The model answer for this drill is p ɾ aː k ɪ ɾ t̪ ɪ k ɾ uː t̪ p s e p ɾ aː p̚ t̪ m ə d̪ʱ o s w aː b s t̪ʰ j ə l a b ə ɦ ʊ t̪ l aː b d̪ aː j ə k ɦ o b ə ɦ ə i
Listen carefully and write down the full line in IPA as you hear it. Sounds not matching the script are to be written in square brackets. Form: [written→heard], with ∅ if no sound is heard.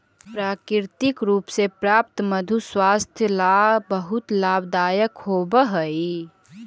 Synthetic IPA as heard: p ɾ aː k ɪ ɾ t̪ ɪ k ɾ uː [t̪→∅] p s e p ɾ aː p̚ t̪ m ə d̪ʱ [o→u] s w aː [b→∅] s t̪ʰ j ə l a b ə ɦ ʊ t̪ l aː b d̪ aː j ə k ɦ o b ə ɦ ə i